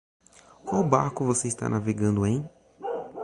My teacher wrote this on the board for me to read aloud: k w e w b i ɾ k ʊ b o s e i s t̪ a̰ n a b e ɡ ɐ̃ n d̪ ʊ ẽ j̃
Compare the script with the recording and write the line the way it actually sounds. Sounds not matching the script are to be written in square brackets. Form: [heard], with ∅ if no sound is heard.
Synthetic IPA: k w [a] w b [a] ɾ k ʊ [v] o s e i s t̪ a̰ n a [v] e ɡ ɐ̃ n d̪ ʊ ẽ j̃